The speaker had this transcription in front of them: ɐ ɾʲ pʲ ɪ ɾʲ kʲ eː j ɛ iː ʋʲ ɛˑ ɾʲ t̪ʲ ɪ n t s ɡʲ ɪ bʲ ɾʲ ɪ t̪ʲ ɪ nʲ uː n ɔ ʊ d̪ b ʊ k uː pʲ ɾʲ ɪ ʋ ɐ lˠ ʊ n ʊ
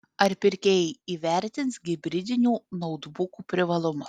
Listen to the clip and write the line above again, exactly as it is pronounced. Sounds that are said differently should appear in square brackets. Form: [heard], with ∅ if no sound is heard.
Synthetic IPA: ɐ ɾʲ pʲ ɪ ɾʲ kʲ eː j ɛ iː ʋʲ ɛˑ ɾʲ t̪ʲ ɪ n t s ɡʲ ɪ bʲ ɾʲ ɪ [d̪ʲ] ɪ nʲ uː n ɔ ʊ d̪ b ʊ k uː pʲ ɾʲ ɪ ʋ ɐ lˠ ʊ [m] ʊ